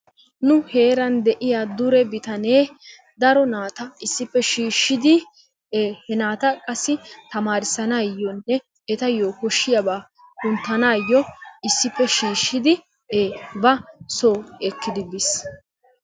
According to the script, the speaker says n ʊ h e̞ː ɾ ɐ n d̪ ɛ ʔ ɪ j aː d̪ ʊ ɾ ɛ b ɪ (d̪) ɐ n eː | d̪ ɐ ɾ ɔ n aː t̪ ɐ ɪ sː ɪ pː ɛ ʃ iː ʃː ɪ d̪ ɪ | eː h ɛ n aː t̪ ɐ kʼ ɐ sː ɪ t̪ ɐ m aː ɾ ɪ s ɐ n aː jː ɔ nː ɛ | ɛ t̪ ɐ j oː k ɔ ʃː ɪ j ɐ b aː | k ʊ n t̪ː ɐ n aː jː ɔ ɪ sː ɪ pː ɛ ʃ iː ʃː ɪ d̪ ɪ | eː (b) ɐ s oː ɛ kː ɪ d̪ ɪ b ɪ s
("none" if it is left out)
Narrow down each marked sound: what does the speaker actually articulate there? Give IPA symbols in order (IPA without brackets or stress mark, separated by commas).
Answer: t̪, b